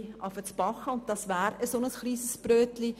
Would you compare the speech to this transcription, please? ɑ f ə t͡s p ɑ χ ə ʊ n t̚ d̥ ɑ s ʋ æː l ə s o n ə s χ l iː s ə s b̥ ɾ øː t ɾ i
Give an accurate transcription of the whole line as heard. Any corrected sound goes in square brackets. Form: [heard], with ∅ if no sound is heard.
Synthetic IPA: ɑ f ə t͡s p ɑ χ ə ʊ n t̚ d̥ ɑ s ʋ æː [ɾ] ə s o n ə s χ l iː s ə s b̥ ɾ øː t [l] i